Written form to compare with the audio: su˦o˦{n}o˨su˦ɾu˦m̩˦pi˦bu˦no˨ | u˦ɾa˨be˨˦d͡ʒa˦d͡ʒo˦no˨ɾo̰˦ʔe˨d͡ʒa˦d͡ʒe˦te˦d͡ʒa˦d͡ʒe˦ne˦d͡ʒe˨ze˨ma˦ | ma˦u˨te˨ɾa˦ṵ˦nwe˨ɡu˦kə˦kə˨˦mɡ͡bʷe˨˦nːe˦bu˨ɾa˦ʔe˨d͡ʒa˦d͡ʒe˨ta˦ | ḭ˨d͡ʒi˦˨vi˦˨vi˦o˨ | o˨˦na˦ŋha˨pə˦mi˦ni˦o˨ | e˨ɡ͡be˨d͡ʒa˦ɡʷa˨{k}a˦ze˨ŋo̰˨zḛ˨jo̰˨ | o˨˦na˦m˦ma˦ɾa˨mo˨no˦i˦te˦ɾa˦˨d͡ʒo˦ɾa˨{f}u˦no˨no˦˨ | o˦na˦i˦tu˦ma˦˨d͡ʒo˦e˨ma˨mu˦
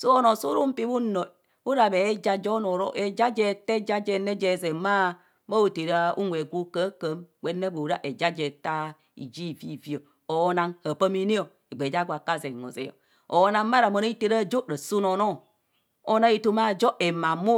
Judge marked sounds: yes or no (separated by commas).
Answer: yes, yes, no